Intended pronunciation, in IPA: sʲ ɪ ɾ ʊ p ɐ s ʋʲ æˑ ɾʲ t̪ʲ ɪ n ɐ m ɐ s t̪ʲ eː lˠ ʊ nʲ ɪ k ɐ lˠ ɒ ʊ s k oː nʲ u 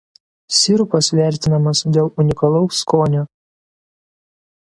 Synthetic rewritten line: sʲ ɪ ɾ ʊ p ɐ s ʋʲ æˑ ɾʲ t̪ʲ ɪ n ɐ m ɐ s d̪ʲ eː lˠ ʊ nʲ ɪ k ɐ lˠ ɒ ʊ s k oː nʲ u